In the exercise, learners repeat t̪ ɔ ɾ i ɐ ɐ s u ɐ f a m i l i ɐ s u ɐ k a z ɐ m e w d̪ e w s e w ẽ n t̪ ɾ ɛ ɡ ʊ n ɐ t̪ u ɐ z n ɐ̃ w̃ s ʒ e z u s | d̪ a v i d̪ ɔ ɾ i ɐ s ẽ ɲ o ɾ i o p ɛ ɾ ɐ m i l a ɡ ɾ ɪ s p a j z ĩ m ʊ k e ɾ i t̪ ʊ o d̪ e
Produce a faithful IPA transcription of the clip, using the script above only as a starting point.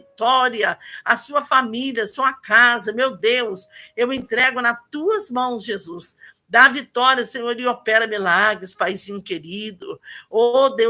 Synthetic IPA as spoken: t̪ ɔ ɾ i ɐ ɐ s u ɐ f a m i l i ɐ s u ɐ k a z ɐ m e w d̪ e w s e w ẽ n t̪ ɾ ɛ ɡ ʊ n ɐ t̪ u ɐ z m ɐ̃ w̃ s ʒ e z u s | d̪ a v i t̪ ɔ ɾ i ɐ s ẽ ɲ o ɾ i o p ɛ ɾ ɐ m i l a ɡ ɾ ɪ s p a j z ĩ ɲ ʊ k e ɾ i d̪ ʊ o d̪ e

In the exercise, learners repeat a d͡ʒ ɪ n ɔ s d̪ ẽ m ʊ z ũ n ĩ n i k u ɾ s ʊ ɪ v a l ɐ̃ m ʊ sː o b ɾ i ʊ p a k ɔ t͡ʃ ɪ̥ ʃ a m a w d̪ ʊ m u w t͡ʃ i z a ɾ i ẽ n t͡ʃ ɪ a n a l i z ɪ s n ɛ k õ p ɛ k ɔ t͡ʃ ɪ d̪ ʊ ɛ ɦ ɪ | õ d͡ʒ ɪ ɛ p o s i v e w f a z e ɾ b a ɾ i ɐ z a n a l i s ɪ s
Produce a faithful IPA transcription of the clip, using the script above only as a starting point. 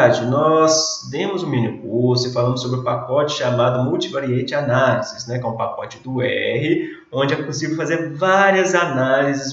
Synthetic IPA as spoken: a d͡ʒ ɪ n ɔ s d̪ ẽ m ʊ z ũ m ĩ n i k u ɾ s ʊ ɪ f a l ɐ̃ m ʊ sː o b ɾ ɪ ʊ p a k ɔ t͡ʃ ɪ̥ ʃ a m a d̪ ʊ m u w t͡ʃ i v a ɾ i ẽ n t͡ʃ ɪ a n a l i z ɪ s n ɛ k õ p a k ɔ t͡ʃ ɪ d̪ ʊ ɛ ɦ ɪ | õ d͡ʒ ɪ ɛ p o s i v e w f a z e ɾ v a ɾ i ɐ z a n a l i z ɪ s

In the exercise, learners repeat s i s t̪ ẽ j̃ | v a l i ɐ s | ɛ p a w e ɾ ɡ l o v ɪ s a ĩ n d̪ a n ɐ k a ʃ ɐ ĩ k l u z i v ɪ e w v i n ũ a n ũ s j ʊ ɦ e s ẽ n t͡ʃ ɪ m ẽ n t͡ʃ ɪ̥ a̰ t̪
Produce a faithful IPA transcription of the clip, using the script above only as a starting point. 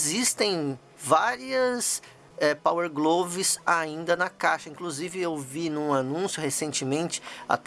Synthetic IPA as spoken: z i s t̪ ẽ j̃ | v a ɾ i ɐ s | ɛ p a w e ɾ ɡ l o v ɪ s a ĩ n d̪ ɐ n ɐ k a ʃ ɐ ĩ k l u z i v ɪ e w v i n ũ a n ũ s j ʊ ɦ e s ẽ n t͡ʃ ɪ m ẽ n t͡ʃ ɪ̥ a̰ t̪

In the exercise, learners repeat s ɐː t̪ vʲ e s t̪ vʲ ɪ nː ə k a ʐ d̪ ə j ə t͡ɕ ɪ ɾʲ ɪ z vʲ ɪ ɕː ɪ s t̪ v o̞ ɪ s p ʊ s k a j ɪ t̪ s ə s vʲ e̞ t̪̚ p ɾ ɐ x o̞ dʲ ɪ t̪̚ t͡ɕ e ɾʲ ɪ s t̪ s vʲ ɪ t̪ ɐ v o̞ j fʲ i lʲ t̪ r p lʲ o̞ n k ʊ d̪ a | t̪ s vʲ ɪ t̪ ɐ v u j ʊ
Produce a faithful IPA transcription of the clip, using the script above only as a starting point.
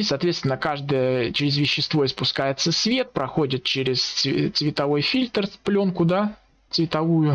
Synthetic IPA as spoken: s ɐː t̪ vʲ e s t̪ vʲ ɪ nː ə k a ʐ d̪ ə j ə t͡ɕ ɪ ɾʲ ɪ z vʲ ɪ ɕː ɪ s t̪ v o̞ ɪ s p ʊ s k a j ɪ t̪ s ə s vʲ e̞ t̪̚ p ɾ ɐ x o̞ dʲ ɪ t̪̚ t͡ɕ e ɾʲ ɪ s t̪ s vʲ ɪ t̪ ɐ v o̞ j fʲ i lʲ t̪ r p lʲ o̞ n k ʊ d̪ a | t̪ s vʲ ɪ t̪ ɐ v u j ʊ

